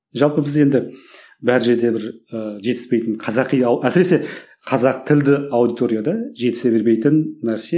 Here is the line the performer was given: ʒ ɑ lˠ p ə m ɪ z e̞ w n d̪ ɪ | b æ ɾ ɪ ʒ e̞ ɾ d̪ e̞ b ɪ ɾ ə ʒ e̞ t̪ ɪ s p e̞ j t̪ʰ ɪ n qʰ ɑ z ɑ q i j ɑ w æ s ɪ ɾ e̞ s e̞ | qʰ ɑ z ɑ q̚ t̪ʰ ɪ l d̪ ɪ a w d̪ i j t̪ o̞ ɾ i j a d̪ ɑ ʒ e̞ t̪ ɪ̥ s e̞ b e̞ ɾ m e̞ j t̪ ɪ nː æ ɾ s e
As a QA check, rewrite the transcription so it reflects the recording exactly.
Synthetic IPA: ʒ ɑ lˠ p ə b ɪ z e̞ n d̪ ɪ | b æ ɾ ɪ ʒ e̞ ɾ d̪ e̞ b ɪ ɾ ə ʒ e̞ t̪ ɪ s p e̞ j t̪ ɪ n qʰ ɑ z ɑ q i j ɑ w æ s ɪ ɾ e̞ s e̞ | qʰ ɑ z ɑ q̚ t̪ʰ ɪ l d̪ ɪ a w d̪ i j t̪ o̞ ɾ i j a d̪ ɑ ʒ e̞ t̪ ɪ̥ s e̞ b e̞ ɾ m e̞ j t̪ ɪ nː æ ɾ s e